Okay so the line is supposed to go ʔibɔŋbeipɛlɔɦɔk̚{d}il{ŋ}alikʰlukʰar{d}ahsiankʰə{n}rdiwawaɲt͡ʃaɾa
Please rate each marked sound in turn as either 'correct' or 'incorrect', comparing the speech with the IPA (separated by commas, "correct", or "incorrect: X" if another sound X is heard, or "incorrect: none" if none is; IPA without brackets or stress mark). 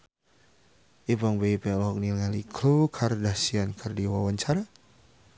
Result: incorrect: n, correct, correct, incorrect: none